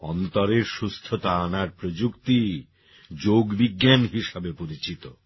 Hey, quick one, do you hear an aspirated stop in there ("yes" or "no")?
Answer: yes